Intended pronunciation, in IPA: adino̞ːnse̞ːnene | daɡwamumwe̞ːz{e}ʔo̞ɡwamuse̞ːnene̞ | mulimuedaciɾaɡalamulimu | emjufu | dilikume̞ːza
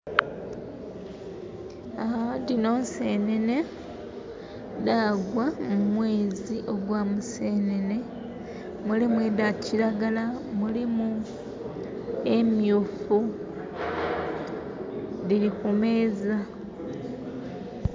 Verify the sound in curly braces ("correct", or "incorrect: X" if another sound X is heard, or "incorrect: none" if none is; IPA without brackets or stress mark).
incorrect: i